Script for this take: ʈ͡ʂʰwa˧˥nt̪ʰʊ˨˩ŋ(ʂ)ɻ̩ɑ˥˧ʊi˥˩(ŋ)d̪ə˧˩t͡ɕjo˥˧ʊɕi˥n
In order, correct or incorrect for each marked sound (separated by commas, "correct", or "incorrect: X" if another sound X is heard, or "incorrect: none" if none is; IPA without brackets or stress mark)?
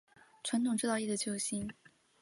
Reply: incorrect: ʈ͡ʂ, incorrect: none